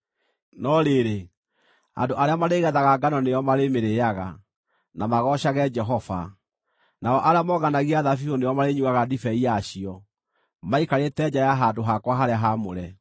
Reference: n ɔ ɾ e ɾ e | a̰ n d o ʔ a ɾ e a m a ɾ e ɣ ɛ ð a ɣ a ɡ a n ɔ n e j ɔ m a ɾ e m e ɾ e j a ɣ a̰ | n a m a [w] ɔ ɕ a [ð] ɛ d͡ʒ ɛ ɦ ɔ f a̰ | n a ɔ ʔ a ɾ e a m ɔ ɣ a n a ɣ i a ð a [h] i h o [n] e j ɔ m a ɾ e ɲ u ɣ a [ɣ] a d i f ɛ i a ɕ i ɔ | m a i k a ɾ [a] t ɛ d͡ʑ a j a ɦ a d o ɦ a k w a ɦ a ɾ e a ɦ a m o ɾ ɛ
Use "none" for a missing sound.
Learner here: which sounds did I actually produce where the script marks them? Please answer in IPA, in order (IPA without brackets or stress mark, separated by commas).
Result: ɣ, ɣ, f, n, ɣ, e